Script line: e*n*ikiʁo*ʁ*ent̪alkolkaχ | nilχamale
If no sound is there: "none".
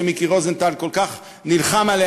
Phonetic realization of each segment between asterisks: m, z

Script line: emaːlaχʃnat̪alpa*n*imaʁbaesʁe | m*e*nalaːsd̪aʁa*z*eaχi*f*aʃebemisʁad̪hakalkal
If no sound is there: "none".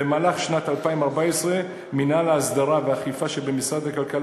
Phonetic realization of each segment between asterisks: none, i, v, f

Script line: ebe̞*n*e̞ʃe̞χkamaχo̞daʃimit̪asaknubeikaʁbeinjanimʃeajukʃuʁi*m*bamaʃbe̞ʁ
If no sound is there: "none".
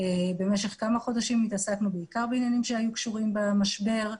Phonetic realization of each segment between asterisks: m, m

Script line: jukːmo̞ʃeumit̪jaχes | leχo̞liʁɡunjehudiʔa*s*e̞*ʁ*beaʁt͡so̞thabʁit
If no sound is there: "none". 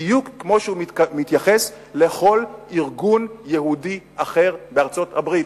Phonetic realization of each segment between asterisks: χ, ʁ

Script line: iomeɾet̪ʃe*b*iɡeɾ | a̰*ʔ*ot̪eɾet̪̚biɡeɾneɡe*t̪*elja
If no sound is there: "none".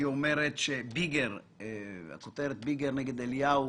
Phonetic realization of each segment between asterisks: b, k, d̪

